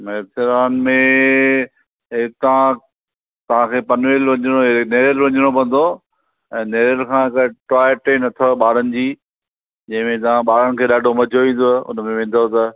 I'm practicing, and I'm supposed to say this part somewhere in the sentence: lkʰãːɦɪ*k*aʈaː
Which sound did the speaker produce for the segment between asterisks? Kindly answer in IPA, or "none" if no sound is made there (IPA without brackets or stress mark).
k